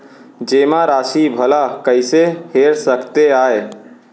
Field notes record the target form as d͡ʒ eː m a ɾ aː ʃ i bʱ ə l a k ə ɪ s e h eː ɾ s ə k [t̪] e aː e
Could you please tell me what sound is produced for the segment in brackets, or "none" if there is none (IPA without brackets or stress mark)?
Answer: t̪